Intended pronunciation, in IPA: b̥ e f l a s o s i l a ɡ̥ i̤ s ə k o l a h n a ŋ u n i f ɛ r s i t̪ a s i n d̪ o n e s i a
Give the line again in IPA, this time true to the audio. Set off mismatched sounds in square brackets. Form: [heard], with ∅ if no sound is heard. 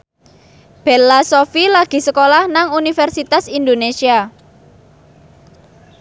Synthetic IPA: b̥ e [∅] l a s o [f] i l a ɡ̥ i̤ s ə k o l a h n a ŋ u n i f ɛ r s i t̪ a s i n d̪ o n e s i a